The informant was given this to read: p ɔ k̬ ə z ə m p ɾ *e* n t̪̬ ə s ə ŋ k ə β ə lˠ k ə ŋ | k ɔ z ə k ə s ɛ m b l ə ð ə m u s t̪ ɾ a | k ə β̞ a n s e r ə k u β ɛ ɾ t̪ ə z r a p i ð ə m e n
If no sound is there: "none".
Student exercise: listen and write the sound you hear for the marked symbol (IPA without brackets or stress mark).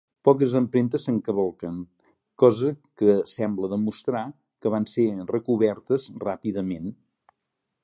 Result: e